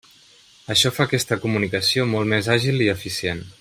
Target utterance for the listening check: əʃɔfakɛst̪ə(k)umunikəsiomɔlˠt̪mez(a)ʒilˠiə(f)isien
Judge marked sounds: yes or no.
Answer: yes, yes, yes

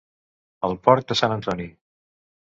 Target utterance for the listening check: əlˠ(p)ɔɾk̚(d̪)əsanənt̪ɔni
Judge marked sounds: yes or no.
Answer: yes, yes

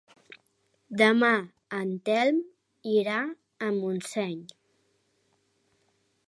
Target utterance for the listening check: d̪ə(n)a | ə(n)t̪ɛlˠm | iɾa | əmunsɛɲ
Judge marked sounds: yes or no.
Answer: no, yes

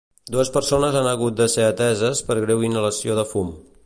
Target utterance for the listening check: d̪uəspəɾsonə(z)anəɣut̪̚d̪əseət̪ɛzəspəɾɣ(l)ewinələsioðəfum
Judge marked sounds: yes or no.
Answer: yes, no

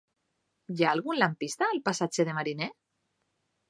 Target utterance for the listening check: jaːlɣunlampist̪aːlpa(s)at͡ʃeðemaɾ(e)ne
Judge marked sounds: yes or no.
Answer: yes, no

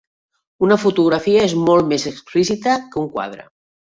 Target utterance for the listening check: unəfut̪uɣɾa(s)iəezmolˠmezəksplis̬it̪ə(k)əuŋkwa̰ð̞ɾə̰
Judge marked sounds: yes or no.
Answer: no, yes

